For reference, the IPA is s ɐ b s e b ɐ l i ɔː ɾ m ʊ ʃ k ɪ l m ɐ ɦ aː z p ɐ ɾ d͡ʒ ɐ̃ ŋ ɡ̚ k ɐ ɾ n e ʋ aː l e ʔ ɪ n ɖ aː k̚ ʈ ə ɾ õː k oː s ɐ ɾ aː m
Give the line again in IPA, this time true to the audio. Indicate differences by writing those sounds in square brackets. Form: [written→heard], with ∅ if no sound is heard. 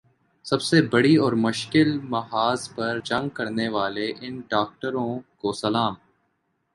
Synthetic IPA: s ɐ b s e b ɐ [l→ɽ] i ɔː ɾ m ʊ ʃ k ɪ l m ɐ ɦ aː z p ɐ ɾ d͡ʒ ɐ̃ ŋ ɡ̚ k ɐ ɾ n e ʋ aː l e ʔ ɪ n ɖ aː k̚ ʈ ə ɾ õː k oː s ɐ [ɾ→l] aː m